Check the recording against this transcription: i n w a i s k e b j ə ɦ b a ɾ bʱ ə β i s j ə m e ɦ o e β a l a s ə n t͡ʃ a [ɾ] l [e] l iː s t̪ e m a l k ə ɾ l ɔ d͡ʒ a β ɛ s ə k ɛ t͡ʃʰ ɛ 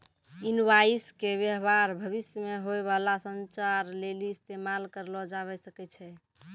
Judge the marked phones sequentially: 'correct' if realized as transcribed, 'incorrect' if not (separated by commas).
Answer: correct, correct